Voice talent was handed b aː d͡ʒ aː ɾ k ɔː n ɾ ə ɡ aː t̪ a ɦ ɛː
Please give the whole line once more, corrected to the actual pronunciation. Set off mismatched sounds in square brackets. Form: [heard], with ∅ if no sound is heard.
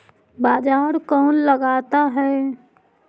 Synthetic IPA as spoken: b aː d͡ʒ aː ɾ k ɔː n [l] ə ɡ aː t̪ a ɦ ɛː